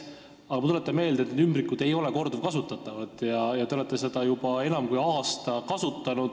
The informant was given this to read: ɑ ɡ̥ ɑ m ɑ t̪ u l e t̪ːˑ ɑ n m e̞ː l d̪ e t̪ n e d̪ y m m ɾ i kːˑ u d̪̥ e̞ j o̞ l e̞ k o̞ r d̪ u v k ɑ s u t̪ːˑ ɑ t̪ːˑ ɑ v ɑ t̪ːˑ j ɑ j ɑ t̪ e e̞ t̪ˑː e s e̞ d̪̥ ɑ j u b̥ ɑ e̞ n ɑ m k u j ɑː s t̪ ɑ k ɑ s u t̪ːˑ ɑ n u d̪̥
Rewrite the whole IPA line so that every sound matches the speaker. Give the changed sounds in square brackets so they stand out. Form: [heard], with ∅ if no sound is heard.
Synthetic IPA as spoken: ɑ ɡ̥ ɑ m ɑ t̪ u l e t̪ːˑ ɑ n m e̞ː l d̪ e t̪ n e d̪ y m [b] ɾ i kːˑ u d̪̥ e̞ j o̞ l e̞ k o̞ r d̪ u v k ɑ s u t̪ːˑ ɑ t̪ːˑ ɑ v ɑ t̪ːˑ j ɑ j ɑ t̪ e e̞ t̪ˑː e s e̞ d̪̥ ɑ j u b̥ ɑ e̞ n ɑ m k u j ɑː s t̪ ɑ k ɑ s u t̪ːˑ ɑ n u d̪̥